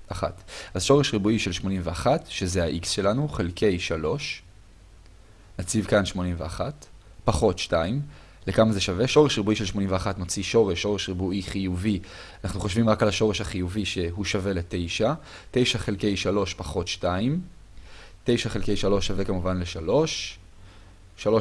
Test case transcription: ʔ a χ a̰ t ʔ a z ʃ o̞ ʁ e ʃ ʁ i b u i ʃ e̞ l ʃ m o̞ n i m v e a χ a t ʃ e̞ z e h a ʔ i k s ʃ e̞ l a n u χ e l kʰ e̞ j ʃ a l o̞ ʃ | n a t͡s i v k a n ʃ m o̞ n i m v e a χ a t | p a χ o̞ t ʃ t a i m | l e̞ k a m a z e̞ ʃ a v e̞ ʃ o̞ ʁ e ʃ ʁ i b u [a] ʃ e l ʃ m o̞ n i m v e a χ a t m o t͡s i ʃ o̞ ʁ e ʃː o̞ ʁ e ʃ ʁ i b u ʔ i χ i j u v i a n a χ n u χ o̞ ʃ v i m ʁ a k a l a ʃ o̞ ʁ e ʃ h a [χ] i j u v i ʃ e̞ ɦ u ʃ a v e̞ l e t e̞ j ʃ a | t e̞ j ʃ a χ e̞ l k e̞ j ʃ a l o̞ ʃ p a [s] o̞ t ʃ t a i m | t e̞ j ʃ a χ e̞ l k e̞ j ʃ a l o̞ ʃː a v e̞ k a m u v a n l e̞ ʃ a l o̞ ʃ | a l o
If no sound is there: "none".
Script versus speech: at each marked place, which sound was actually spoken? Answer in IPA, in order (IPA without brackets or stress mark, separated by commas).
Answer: i, χ, χ